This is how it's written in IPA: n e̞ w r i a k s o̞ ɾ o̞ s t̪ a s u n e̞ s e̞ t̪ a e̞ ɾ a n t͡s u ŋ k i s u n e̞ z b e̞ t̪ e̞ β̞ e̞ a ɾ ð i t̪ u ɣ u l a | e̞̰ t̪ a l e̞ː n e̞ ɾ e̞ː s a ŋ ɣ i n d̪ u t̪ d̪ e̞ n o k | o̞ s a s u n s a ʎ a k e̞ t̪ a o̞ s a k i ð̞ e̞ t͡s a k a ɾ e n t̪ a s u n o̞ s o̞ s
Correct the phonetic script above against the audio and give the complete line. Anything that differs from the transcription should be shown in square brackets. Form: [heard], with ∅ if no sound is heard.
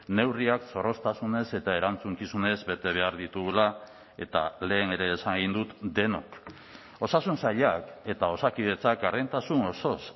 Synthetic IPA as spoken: n e̞ w r i a k s o̞ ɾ o̞ s t̪ a s u n e̞ s e̞ t̪ a e̞ ɾ a n t͡s u ŋ k i s u n e̞ z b e̞ t̪ e̞ β̞ e̞ a ɾ ð i t̪ u ɣ u l a | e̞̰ t̪ a l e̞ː n e̞ ɾ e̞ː s a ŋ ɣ i n d̪ u t̪ d̪ e̞ n o k | o̞ s a s u n s a ʎ a k e̞ t̪ a o̞ s a k i ð̞ e̞ t͡s a k a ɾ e n t̪ a s u n o̞ s o̞ s